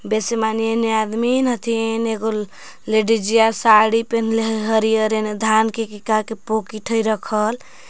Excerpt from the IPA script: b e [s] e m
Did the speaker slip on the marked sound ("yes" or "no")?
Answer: no